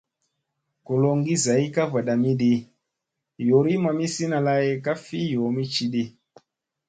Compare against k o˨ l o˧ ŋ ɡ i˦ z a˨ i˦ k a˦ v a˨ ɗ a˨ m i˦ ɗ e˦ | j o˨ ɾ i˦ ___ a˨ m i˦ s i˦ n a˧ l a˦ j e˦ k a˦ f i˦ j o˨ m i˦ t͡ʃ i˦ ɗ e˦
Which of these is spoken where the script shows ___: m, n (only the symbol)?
m